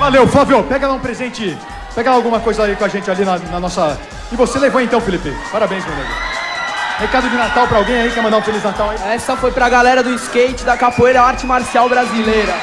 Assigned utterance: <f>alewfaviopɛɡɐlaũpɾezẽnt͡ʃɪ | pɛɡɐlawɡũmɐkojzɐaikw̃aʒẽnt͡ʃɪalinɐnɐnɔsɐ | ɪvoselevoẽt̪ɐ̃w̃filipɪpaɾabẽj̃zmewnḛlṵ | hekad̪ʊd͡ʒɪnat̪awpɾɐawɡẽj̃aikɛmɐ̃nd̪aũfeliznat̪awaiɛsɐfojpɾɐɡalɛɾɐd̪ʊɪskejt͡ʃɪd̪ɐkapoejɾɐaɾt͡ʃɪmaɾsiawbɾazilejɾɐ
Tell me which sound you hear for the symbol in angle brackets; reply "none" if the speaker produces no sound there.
v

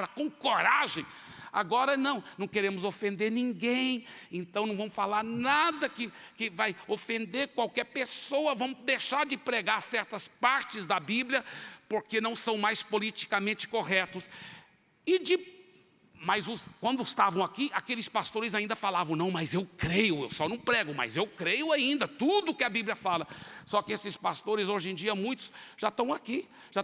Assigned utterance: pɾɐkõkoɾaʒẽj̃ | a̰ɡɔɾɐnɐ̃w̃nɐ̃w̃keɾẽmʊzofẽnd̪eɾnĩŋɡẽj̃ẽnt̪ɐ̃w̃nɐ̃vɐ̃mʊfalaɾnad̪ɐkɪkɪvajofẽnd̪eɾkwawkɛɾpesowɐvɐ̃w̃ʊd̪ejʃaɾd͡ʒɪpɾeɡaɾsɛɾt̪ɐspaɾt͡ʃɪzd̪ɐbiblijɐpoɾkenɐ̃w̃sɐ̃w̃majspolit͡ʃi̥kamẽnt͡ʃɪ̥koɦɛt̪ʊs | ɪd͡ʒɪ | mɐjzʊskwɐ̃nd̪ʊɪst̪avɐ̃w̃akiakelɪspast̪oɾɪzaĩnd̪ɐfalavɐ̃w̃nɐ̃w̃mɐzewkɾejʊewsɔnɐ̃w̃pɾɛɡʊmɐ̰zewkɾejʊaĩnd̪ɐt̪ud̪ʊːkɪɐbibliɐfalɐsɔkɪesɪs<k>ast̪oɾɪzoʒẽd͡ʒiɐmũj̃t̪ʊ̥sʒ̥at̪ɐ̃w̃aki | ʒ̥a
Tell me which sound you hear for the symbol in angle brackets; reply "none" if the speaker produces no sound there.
p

